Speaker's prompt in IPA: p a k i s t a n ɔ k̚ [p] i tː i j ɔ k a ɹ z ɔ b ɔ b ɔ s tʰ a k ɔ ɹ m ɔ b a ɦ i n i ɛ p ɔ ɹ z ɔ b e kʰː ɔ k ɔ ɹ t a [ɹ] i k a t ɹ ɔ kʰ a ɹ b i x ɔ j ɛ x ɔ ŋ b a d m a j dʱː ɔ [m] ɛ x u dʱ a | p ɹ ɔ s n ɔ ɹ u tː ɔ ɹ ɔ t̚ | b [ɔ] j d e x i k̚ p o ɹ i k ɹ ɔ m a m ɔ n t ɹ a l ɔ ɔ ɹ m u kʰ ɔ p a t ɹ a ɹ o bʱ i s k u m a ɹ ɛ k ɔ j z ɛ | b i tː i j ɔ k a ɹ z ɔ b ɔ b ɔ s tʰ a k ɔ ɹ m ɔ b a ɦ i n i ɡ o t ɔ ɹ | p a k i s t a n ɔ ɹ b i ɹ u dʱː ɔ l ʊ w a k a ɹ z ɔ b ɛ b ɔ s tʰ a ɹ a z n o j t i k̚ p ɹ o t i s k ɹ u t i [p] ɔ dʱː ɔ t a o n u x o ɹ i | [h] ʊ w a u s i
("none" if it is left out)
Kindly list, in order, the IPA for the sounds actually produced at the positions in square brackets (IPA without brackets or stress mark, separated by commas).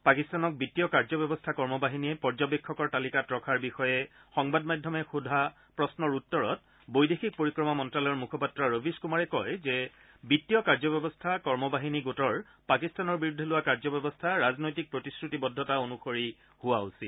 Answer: b, l, m, o, b, h